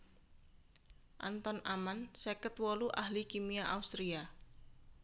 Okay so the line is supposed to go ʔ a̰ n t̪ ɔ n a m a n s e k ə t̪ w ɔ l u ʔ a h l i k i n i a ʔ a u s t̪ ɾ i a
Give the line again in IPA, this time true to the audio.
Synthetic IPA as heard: ʔ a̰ n t̪ ɔ n a m a n s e k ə t̪ w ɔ l u ʔ a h l i k i m i a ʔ a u s t̪ ɾ i a